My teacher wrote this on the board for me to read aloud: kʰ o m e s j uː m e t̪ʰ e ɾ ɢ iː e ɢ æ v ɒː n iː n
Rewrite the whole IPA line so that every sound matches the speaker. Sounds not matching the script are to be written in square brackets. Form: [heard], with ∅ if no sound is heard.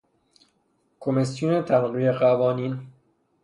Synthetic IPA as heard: kʰ o m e s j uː [n] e t̪ʰ [æ] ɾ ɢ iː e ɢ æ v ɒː n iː n